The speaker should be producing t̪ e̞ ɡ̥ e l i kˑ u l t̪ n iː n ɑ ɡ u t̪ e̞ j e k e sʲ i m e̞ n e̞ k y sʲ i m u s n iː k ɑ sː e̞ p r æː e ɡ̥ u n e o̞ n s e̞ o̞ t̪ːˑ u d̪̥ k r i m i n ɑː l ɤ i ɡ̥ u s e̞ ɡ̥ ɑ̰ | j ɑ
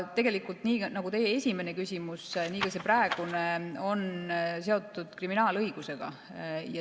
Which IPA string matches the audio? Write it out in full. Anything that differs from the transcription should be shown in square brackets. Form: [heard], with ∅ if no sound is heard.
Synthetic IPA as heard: t̪ e̞ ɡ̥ e l i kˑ u l t̪ n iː n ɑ ɡ u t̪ e̞ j e [∅] e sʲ i m e̞ n e̞ k y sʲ i m u s n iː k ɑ [s] e̞ p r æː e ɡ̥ u n e o̞ n s e̞ o̞ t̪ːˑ u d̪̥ k r i m i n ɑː l ɤ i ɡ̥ u s e̞ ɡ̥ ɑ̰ | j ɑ